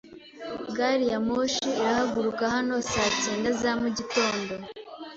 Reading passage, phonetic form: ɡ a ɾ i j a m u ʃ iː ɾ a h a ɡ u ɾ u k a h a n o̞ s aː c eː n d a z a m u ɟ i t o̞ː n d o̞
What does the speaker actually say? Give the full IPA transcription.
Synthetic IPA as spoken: ɡ a ɾ i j a m o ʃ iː ɾ a h a ɡ u ɾ u k a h a n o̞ s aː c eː n d a z a m u ɟ i t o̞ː n d o̞